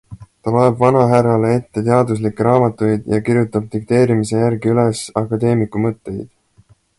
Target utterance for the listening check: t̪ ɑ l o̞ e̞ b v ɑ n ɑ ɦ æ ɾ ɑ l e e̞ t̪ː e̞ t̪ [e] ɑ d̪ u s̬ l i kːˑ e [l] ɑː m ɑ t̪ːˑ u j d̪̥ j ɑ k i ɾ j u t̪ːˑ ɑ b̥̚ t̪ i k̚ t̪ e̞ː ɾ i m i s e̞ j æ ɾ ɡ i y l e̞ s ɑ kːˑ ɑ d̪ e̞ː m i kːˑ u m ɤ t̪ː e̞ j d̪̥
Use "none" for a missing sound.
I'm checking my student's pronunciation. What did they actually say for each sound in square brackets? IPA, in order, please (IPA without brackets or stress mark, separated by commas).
e, ɾ